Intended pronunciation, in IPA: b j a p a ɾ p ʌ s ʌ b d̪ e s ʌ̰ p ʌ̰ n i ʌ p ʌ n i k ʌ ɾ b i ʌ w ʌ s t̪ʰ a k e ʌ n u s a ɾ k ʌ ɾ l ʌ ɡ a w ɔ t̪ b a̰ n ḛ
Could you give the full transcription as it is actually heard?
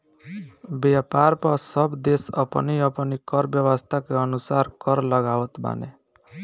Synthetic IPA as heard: b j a p a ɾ p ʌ s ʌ b d̪ e s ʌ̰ p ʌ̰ n i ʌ p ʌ n i k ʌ ɾ b j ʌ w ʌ s t̪ʰ a k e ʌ n u s a ɾ k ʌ ɾ l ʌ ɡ a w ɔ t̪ b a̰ n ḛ